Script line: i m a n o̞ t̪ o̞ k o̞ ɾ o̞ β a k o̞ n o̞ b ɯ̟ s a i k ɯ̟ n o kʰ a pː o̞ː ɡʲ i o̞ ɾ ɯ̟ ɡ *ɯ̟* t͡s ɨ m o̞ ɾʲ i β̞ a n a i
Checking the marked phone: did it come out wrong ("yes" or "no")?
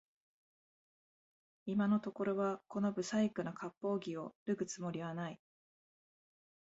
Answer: no